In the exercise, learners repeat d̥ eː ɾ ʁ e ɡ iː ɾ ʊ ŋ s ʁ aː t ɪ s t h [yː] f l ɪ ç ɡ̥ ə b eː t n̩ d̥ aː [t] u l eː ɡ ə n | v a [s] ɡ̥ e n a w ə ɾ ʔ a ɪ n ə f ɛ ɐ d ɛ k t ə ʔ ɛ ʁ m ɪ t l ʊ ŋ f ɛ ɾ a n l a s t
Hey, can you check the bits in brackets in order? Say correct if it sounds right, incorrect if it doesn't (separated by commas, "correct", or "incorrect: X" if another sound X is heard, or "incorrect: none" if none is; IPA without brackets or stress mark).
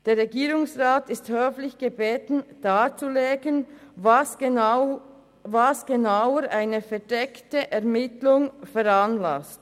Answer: incorrect: øː, incorrect: t͡s, correct